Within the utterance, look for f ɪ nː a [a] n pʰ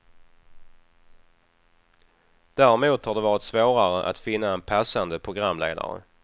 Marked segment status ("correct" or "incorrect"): incorrect